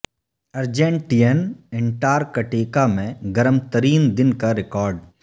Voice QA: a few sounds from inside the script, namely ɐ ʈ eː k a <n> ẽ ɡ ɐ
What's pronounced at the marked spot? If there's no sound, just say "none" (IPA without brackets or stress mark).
m